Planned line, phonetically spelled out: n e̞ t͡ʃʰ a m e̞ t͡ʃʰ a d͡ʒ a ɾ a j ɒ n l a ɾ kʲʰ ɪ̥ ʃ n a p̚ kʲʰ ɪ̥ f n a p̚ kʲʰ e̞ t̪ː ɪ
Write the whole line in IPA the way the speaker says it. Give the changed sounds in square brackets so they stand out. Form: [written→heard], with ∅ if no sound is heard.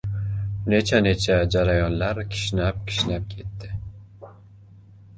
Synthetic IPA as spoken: n e̞ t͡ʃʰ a [m→n] e̞ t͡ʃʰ a d͡ʒ a ɾ a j ɒ n l a ɾ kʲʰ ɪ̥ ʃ n a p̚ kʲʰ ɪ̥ [f→ʃ] n a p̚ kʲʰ e̞ t̪ː ɪ